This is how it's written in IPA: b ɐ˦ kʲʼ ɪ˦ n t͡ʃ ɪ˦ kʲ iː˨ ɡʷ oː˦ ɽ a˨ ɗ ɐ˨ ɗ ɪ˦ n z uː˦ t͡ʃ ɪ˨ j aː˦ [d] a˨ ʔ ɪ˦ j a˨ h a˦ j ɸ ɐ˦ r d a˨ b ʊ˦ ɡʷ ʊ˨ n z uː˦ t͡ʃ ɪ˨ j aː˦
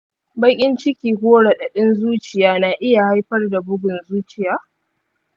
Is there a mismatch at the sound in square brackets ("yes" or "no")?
yes